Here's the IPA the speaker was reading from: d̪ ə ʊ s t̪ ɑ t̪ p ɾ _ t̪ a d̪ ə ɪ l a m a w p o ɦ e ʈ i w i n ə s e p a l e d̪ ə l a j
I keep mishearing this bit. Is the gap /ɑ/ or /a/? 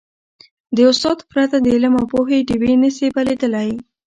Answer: a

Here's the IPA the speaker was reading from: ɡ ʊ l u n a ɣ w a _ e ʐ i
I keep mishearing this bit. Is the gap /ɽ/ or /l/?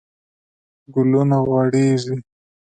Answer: ɽ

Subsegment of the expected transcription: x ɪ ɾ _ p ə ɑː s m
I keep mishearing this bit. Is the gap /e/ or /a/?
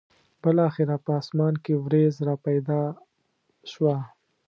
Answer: a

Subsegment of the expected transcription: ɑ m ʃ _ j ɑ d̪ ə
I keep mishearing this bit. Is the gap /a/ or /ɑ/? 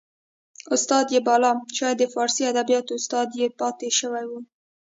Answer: ɑ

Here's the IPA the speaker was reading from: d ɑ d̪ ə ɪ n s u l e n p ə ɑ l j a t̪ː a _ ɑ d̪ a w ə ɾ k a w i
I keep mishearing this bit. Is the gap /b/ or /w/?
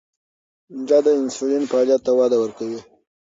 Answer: w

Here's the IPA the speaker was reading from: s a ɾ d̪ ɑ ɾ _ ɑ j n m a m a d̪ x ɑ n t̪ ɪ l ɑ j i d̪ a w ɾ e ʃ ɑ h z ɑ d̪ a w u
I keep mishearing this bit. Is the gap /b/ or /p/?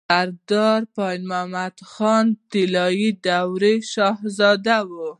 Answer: p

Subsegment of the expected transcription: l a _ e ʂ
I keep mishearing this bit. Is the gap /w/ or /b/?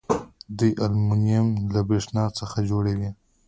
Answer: b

